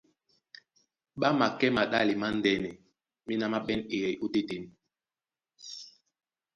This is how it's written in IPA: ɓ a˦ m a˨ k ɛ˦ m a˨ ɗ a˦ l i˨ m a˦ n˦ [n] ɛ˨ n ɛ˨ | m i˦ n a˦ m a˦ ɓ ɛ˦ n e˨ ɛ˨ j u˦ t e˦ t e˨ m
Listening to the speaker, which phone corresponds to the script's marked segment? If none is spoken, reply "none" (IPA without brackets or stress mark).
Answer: d